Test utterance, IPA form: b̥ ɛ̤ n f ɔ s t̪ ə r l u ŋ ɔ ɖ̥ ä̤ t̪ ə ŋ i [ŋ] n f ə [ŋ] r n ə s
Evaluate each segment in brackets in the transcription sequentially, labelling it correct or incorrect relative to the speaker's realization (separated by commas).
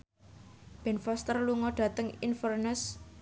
incorrect, incorrect